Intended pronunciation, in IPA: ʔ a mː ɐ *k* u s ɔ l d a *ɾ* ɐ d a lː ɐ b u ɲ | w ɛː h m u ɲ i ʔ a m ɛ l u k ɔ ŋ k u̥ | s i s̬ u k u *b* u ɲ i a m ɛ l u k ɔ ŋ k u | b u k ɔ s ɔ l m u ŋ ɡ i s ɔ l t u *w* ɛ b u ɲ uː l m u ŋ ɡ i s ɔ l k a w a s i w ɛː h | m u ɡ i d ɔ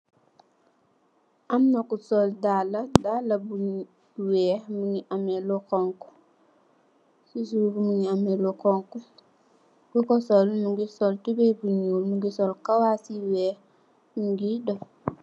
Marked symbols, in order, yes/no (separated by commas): yes, no, no, no